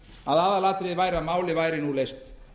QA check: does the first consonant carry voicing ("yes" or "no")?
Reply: yes